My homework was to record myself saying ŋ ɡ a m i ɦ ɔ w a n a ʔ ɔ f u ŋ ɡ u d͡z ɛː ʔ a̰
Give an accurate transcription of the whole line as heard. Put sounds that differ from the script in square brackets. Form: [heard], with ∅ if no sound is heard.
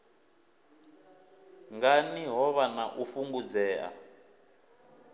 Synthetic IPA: ŋ ɡ a [n] i ɦ ɔ [β] a n a ʔ [u] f u ŋ ɡ u d͡z ɛː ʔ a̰